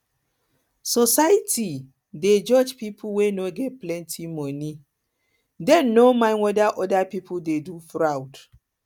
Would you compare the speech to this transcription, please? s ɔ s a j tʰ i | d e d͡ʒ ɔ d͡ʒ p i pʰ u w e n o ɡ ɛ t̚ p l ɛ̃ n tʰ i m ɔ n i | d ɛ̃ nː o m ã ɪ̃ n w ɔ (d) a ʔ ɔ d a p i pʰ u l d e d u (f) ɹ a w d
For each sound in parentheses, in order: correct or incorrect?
correct, correct

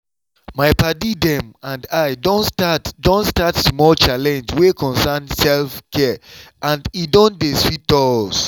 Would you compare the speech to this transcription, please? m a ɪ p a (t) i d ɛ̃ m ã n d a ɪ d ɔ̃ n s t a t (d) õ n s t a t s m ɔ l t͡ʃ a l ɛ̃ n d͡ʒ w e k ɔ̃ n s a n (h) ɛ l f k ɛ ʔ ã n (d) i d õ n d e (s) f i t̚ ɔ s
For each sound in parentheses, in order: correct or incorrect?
incorrect, correct, incorrect, correct, correct

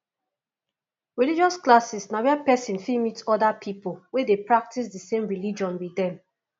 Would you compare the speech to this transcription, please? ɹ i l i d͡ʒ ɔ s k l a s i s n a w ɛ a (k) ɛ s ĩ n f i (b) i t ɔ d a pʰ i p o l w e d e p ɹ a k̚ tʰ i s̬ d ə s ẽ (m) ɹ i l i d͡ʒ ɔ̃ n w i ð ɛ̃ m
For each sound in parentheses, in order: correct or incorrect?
incorrect, incorrect, correct

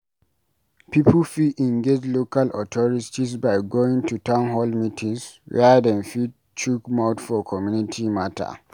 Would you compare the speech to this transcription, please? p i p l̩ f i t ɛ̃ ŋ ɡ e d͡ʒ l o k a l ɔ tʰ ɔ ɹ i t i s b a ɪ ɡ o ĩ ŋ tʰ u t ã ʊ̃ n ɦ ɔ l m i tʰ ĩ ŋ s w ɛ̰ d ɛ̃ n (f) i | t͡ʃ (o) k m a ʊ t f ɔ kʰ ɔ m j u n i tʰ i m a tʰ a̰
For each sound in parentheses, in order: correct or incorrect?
correct, incorrect

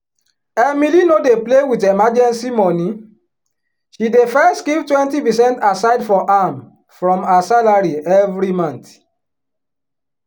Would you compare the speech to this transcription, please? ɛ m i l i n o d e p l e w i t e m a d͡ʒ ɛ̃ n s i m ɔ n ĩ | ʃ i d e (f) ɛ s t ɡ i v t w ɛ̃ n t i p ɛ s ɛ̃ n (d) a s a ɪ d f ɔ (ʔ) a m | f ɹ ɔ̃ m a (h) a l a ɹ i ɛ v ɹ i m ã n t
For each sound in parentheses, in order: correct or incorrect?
correct, incorrect, correct, incorrect

